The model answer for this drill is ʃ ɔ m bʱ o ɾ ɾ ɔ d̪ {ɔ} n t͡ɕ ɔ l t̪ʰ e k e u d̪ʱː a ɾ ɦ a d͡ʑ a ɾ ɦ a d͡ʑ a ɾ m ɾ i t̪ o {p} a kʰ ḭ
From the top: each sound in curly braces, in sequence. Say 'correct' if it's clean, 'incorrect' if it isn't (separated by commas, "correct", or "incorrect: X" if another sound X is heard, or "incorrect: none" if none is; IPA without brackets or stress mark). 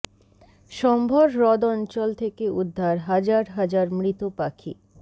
correct, correct